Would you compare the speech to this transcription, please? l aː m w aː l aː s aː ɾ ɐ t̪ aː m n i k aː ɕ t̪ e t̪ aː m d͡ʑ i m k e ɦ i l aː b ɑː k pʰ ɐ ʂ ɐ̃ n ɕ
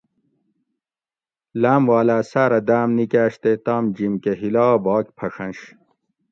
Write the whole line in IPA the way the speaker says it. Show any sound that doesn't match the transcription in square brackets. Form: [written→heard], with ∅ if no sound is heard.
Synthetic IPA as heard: l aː m w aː l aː s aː ɾ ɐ [t̪→d̪] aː m n i k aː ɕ t̪ e t̪ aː m d͡ʑ i m k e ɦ i l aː b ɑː k pʰ ɐ ʂ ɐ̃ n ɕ

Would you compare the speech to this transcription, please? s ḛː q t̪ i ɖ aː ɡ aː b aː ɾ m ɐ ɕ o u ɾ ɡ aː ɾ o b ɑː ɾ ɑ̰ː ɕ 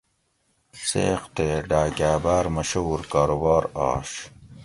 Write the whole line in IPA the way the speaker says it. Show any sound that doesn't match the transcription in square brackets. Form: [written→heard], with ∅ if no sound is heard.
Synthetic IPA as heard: s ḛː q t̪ [i→e] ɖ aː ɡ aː b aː ɾ m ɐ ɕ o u ɾ [ɡ→k] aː ɾ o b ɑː ɾ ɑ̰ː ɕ

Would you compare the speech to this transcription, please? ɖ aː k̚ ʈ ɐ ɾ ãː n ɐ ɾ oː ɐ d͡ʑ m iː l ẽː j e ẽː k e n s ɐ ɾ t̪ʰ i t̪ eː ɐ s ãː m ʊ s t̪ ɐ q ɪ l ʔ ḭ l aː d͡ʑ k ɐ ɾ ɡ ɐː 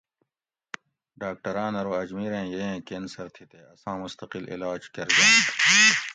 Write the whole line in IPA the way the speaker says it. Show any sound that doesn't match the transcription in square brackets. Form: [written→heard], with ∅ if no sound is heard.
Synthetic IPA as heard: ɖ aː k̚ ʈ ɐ ɾ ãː n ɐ ɾ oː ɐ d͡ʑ m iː [l→ɾ] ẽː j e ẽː k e n s ɐ ɾ t̪ʰ i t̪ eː ɐ s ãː m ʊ s t̪ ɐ q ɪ l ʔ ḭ l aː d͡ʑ k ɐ ɾ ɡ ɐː

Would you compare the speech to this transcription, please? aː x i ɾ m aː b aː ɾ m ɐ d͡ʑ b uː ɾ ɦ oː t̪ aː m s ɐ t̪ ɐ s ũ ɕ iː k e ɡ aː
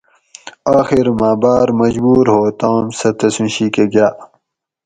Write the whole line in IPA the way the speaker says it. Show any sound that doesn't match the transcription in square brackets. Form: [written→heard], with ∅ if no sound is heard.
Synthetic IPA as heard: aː x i ɾ m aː b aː ɾ m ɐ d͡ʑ b uː ɾ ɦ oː t̪ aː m s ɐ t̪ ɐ s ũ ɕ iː k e ɡ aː

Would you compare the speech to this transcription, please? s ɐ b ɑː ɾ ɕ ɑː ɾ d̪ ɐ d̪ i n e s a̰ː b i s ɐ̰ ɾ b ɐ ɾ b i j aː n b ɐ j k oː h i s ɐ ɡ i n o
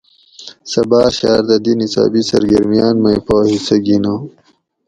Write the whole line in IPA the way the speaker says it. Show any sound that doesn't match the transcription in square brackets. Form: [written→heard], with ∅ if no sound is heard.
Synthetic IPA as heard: s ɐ b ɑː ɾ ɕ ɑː ɾ d̪ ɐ d̪ i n [e→i] s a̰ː b i s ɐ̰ ɾ [b→ɡ] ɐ ɾ [b→m] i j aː n [b→m] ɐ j [k→p] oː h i s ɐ ɡ i n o

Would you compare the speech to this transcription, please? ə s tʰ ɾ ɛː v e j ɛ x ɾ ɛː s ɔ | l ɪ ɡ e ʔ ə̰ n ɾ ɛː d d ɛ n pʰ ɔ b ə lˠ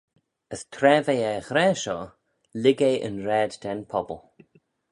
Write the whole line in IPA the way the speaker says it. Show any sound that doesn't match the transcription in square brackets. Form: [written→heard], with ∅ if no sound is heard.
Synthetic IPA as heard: ə s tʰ ɾ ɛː v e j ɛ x ɾ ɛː [s→ʃ] ɔ | l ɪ ɡ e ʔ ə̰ n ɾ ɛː d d ɛ n pʰ ɔ b ə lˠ

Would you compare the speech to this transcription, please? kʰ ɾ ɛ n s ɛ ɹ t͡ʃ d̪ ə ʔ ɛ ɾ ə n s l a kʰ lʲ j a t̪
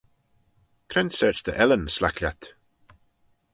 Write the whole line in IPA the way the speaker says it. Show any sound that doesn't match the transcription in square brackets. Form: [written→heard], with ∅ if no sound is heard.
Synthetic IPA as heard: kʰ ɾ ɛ n s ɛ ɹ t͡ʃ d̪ ə ʔ ɛ [ɾ→l] ə n s l a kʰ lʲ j a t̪

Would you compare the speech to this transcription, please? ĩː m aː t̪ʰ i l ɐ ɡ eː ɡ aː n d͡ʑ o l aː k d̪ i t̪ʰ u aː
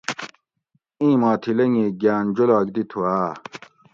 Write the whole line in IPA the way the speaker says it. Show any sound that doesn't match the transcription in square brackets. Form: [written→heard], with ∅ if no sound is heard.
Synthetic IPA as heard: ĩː m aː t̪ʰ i l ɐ [ɡ→ŋ] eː ɡ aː n d͡ʑ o l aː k d̪ i t̪ʰ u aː

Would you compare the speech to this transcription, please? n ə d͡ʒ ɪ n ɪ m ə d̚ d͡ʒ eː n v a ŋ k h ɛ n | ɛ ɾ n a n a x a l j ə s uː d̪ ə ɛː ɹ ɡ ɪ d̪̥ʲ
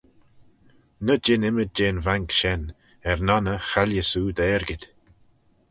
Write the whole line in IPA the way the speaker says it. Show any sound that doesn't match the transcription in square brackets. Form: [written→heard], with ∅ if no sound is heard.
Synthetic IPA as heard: n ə d͡ʒ ɪ n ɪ m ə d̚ d͡ʒ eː n v a ŋ k [h→ʃ] ɛ n | ɛ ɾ n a n [a→ə] x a l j ə s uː d̪ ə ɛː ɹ ɡ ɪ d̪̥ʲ

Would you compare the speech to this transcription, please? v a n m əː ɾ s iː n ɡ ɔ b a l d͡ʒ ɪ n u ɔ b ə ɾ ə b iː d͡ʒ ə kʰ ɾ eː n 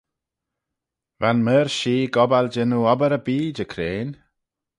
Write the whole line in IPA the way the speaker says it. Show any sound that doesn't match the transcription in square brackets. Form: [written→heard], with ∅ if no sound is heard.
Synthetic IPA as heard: v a n m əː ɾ [s→ʃ] iː [n→∅] ɡ ɔ b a l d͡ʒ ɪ n u ɔ b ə ɾ ə b iː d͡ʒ ə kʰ ɾ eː n

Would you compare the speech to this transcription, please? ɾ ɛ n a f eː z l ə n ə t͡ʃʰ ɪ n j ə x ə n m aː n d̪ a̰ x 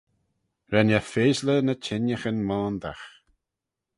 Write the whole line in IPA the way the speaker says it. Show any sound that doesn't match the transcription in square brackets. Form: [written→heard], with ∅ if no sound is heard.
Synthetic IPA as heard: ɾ ɛ n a f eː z l ə n ə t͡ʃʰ ɪ n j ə x ə n m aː n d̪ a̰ x

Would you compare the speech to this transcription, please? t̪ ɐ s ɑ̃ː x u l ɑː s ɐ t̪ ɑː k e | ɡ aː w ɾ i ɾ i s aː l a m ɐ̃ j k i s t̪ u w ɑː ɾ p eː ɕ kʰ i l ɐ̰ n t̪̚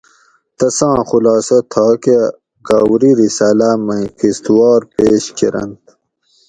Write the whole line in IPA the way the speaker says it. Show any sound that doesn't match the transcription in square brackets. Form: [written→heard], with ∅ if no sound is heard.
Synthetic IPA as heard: t̪ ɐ s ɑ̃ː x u l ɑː s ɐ [t̪→t̪ʰ] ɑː k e | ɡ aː w ɾ i ɾ i s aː l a m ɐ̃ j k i s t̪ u w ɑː ɾ p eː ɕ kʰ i [l→ɾ] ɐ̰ n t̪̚

